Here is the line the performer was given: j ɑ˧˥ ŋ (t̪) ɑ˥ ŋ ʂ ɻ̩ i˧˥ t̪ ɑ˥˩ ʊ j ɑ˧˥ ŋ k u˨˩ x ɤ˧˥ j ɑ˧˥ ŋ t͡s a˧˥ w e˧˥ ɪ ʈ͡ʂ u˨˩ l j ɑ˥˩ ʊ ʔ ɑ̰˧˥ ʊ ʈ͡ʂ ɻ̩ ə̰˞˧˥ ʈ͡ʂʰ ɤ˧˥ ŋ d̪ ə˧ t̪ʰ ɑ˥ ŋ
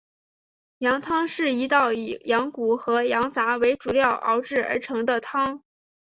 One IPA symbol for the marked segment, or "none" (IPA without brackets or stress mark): t̪ʰ